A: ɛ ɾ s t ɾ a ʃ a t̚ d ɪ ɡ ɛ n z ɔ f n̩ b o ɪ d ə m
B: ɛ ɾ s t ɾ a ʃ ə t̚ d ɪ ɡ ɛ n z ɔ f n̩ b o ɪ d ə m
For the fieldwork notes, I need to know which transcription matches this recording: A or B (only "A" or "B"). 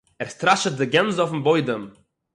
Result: B